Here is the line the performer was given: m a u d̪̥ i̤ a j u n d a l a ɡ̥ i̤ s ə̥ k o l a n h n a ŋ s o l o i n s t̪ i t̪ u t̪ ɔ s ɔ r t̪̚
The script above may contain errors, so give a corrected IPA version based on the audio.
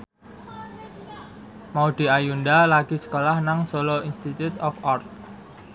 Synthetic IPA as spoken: m a u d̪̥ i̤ a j u n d a l a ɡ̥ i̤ s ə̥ k o l a h n a ŋ s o l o i n s t̪ i t̪ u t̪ ɔ f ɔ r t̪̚